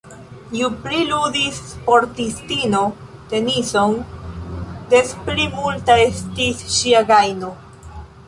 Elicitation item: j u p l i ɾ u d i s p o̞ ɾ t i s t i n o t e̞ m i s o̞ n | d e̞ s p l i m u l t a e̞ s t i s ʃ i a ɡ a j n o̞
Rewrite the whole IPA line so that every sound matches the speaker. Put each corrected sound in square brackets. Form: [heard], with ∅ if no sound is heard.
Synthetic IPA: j u p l i [l] u d i s p o̞ ɾ t i s t i n o t e̞ [n] i s o̞ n | d e̞ s p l i m u l t a e̞ s t i s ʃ i a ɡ a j n o̞